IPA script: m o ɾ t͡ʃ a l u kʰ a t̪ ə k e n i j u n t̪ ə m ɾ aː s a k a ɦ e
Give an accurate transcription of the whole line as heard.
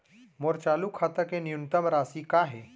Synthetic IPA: m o ɾ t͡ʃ a l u kʰ a t̪ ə k e n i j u n t̪ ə m ɾ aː s i k a ɦ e